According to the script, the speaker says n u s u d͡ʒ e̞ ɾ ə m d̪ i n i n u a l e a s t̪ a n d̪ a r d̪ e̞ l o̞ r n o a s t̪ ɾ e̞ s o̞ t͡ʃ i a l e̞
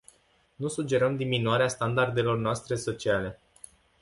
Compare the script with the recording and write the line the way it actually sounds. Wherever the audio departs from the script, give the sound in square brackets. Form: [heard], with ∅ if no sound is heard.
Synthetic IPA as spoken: n u s u d͡ʒ e̞ ɾ ə m d̪ i [m] i n u a [ɾ] e a s t̪ a n d̪ a r d̪ e̞ l o̞ r n o a s t̪ ɾ e̞ s o̞ t͡ʃ i a l e̞

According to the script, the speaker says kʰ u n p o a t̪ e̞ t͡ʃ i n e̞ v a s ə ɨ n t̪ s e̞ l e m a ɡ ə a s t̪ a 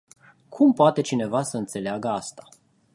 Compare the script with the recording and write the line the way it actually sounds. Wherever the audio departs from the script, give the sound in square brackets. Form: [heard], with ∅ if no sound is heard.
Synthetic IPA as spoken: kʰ u [m] p o a t̪ e̞ t͡ʃ i n e̞ v a s ə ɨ n t̪ s e̞ l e [∅] a ɡ ə a s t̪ a

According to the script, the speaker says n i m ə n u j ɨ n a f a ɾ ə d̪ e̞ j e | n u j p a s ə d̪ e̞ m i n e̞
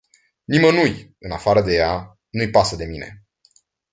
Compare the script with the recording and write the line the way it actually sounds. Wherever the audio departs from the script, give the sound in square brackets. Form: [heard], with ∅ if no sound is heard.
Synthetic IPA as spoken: n i m ə n u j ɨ n a f a ɾ ə d̪ e̞ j [a] | n u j p a s ə d̪ e̞ m i n e̞

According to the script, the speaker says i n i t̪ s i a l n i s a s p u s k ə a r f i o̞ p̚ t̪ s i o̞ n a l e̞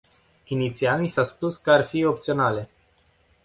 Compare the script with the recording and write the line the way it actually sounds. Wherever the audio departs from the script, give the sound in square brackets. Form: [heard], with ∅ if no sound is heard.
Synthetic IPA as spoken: i n i t̪ s i a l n i s a s p u s k ə a r f i o̞ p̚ t̪ s i o̞ n a l e̞

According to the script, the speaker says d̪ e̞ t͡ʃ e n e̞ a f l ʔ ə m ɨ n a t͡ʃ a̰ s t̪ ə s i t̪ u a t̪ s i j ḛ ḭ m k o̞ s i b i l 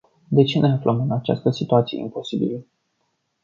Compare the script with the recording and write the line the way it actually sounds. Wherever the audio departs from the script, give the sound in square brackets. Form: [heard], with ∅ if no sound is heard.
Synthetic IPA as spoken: d̪ e̞ t͡ʃ e n e̞ a f l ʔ ə m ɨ n a t͡ʃ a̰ s t̪ ə s i t̪ u a t̪ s i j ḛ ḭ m [p] o̞ s i b i l

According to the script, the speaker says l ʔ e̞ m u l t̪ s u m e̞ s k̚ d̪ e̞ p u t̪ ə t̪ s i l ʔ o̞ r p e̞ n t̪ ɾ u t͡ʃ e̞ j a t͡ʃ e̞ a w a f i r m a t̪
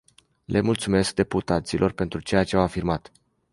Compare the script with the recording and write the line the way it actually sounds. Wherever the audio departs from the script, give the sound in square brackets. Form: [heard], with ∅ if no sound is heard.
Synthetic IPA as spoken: l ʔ e̞ m u l t̪ s u m e̞ s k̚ d̪ e̞ p u t̪ [a] t̪ s i l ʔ o̞ r p e̞ n t̪ ɾ u t͡ʃ e̞ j a t͡ʃ e̞ a w a f i r m a t̪

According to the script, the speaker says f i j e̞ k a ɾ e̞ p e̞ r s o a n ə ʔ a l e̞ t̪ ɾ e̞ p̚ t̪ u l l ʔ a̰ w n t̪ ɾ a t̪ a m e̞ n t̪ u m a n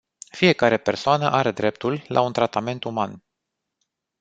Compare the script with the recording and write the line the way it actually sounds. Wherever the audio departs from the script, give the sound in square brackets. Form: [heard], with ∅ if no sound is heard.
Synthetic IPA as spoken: f i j e̞ k a ɾ e̞ p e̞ r s o a n ə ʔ a [ɾ] e̞ [d̪] ɾ e̞ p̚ t̪ u l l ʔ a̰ [u] n t̪ ɾ a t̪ a m e̞ n t̪ u m a n

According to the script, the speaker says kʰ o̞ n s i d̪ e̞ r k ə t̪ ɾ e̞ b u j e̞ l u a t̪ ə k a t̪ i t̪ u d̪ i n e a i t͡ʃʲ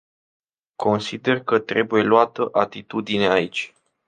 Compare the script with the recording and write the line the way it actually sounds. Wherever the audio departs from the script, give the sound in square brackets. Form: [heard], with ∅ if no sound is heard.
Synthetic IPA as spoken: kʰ o̞ n s i d̪ e̞ r k ə t̪ ɾ e̞ b u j e̞ l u a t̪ ə [ʔ] a t̪ i t̪ u d̪ i n e a i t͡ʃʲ

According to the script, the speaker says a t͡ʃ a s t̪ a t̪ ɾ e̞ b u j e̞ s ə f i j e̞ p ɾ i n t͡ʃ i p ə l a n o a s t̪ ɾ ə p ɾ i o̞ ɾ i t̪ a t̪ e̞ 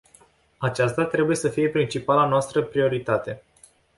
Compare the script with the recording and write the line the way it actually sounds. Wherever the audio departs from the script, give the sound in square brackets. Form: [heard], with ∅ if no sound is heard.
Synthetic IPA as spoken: a t͡ʃ a s t̪ a t̪ ɾ e̞ b u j e̞ s ə f i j e̞ p ɾ i n t͡ʃ i p [a] l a n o a s t̪ ɾ ə p ɾ i o̞ ɾ i t̪ a t̪ e̞

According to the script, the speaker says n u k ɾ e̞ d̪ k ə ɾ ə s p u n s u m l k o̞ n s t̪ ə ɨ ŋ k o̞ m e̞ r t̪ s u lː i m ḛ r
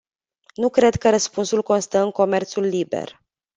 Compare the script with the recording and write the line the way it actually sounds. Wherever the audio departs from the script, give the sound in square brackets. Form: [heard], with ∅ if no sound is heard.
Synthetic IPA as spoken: n u k ɾ e̞ d̪ k ə ɾ ə s p u n s u [∅] l k o̞ n s t̪ ə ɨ ŋ k o̞ m e̞ r t̪ s u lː i [b] ḛ r

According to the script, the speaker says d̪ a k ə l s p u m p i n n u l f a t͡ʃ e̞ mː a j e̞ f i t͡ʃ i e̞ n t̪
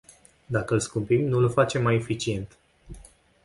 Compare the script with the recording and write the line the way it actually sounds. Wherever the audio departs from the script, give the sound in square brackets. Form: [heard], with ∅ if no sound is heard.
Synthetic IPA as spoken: d̪ a k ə l s [k] u m p i [m] n u l f a t͡ʃ e̞ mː a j e̞ f i t͡ʃ i e̞ n t̪

